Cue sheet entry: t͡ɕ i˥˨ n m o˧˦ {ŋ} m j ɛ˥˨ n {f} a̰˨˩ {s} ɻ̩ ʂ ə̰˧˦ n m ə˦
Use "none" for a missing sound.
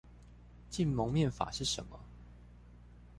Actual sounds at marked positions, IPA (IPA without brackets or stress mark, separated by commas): ŋ, f, ʂ